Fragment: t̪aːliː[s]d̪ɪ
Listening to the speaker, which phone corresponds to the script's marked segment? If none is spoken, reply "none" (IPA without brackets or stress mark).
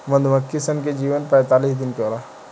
s